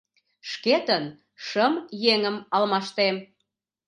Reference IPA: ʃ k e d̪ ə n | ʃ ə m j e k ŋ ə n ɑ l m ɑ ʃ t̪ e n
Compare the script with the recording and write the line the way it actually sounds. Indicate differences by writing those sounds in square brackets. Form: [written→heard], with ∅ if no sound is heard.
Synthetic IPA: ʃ k e [d̪→t̪] ə n | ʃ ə m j e [k→∅] ŋ ə [n→m] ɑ l m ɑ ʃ t̪ e [n→m]

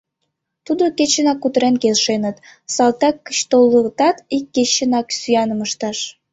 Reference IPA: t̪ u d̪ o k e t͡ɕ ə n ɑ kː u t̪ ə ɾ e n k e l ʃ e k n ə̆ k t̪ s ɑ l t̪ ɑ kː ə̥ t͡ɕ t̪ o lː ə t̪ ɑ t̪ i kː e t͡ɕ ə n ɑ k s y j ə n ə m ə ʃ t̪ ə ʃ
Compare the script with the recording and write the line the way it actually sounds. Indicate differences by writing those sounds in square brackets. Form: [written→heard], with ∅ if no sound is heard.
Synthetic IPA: t̪ u d̪ o k e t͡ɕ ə n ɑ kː u t̪ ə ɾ e n k e l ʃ e [k→∅] n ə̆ [k→∅] t̪ s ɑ l t̪ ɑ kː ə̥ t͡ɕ t̪ o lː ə t̪ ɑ t̪ i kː e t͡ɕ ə n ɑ k s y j [ə→ɑ] n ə m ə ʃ t̪ [ə→ɑ] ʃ

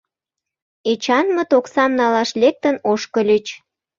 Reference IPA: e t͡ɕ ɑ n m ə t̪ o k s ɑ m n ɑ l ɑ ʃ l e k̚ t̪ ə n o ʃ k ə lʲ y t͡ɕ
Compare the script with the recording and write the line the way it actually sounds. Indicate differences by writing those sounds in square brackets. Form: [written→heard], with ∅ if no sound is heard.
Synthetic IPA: e t͡ɕ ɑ n m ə t̪ o k s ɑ m n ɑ l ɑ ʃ l e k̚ t̪ ə n o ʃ k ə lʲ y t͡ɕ

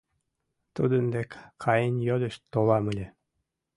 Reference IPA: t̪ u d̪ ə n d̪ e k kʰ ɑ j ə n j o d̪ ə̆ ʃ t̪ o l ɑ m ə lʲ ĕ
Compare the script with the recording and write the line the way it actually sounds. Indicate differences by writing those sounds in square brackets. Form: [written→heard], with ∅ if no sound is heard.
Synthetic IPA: t̪ u d̪ ə n d̪ e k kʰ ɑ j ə n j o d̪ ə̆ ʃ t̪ o l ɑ m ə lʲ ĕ

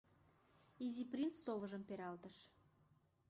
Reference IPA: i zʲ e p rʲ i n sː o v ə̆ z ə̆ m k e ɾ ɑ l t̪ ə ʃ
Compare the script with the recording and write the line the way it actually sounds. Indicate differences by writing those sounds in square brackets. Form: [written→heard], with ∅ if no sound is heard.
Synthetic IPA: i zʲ [e→i] p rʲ i n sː o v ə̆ [z→ʒ] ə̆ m [k→p] e ɾ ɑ l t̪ ə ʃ

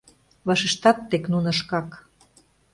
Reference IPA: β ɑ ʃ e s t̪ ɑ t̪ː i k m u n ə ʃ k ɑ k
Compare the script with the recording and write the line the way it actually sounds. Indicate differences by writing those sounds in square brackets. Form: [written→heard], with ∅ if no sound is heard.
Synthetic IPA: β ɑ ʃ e [s→ʃ] t̪ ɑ t̪ː [i→e] k [m→n] u n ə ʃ k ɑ k

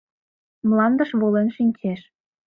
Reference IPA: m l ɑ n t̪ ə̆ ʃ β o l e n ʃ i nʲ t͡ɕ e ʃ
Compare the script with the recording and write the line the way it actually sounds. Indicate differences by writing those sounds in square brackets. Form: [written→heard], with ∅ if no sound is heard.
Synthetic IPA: m l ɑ n [t̪→d̪] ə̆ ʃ β o l e n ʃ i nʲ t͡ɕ e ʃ

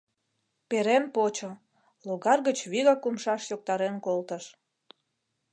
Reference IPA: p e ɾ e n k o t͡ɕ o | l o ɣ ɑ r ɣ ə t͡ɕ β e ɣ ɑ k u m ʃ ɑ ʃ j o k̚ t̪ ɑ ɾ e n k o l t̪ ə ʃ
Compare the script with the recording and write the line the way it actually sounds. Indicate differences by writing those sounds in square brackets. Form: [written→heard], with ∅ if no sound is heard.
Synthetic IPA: p e ɾ e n [k→p] o t͡ɕ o | l o ɣ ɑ r ɣ ə t͡ɕ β [e→i] ɣ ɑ k u m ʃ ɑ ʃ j o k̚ t̪ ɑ ɾ e n k o l t̪ ə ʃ

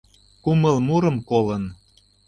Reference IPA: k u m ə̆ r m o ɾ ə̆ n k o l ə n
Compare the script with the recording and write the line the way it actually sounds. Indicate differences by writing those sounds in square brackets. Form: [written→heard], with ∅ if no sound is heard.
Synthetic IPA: k u m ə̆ [r→l] m [o→u] ɾ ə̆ [n→m] k o l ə n

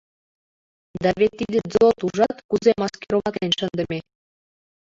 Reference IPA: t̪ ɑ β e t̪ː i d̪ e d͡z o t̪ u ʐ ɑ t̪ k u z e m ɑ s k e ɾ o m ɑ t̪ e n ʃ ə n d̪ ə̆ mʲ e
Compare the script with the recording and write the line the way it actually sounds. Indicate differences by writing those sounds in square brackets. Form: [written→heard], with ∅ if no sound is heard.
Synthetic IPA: [t̪→d̪] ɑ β e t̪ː i d̪ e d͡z o t̪ u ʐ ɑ t̪ k u z e m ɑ s k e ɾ o m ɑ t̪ e n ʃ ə n d̪ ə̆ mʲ e

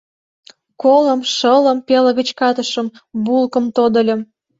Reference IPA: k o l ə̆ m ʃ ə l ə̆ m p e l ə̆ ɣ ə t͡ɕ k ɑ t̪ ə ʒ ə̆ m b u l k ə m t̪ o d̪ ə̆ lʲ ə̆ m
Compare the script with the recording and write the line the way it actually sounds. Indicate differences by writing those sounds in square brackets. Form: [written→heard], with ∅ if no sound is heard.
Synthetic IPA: k o l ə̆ m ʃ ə l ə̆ m p e l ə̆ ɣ ə t͡ɕ k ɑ t̪ ə [ʒ→ʃ] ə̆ m b u l k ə m t̪ o d̪ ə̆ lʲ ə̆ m

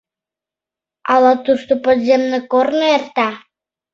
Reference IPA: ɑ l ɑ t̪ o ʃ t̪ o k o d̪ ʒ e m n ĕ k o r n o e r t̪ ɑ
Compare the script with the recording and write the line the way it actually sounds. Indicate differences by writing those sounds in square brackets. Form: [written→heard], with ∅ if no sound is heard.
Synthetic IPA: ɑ l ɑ t̪ [o→u] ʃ t̪ o [k→p] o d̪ [ʒ→z] e m n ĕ k o r n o e r t̪ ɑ

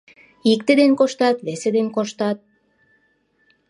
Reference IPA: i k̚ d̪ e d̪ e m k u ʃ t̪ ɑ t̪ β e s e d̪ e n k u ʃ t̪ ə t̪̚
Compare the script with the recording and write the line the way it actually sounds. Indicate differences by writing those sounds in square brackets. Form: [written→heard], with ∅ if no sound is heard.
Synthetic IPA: i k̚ [d̪→t̪] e d̪ e [m→n] k [u→o] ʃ t̪ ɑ t̪ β e s e d̪ e n k [u→o] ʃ t̪ [ə→ɑ] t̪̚

